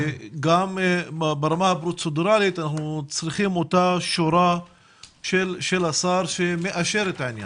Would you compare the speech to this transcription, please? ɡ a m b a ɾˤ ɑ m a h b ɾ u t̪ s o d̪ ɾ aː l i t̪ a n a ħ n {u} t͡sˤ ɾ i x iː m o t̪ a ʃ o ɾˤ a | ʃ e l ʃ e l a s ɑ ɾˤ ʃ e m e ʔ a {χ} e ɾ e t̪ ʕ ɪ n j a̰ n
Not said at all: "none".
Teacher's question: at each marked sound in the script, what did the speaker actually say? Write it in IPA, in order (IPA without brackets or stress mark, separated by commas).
u, ʃ